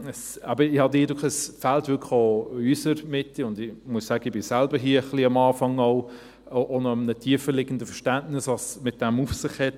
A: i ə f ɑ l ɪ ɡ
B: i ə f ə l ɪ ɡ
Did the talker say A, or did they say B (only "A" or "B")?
B